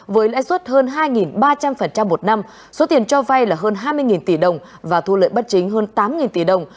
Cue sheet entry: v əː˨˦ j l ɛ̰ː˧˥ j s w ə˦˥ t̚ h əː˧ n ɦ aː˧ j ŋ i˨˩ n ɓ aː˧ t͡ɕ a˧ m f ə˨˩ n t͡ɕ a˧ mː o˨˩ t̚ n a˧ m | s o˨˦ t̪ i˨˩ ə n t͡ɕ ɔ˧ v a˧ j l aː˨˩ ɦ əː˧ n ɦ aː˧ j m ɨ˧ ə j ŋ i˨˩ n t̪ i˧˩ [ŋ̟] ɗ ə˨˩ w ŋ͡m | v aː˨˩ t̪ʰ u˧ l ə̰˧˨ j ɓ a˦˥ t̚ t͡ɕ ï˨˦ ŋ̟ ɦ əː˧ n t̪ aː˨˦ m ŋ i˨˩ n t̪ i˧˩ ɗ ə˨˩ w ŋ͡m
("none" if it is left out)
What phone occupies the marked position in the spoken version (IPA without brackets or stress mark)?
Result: none